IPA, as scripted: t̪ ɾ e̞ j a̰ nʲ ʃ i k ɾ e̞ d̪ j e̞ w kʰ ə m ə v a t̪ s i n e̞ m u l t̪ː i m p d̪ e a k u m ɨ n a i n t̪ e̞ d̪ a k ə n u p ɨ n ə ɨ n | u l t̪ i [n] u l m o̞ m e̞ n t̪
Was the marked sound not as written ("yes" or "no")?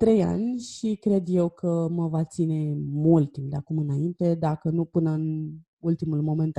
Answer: yes